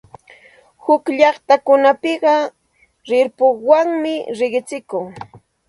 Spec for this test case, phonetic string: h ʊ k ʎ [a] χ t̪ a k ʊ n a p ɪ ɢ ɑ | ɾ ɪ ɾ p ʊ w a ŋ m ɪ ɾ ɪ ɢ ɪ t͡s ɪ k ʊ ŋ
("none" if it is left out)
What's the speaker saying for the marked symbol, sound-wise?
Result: ɑ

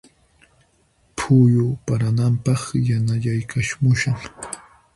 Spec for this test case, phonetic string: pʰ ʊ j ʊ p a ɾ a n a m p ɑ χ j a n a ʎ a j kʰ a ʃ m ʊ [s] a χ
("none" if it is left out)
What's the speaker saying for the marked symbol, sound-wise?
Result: ʃ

